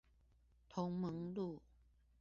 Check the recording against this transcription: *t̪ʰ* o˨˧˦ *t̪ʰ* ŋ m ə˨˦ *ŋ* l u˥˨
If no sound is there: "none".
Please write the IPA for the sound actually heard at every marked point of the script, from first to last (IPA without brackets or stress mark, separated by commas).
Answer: t̪ʰ, none, ŋ